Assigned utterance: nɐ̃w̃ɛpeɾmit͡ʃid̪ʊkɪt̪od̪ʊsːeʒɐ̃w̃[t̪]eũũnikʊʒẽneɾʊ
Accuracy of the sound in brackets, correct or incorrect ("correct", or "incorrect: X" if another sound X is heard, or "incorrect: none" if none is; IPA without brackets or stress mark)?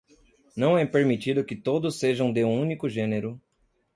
incorrect: d̪